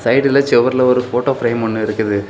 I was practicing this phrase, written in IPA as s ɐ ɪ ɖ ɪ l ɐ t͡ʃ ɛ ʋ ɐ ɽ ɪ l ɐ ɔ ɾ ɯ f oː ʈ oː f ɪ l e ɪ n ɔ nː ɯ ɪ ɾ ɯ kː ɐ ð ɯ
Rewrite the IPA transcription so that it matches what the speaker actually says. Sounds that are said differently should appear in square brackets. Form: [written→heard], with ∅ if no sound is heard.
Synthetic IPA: s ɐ ɪ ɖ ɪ l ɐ t͡ʃ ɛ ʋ ɐ [ɽ→ɾ] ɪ l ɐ ɔ ɾ ɯ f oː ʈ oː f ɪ [l→ɾ] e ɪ [n→m] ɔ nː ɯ ɪ ɾ ɯ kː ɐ ð ɯ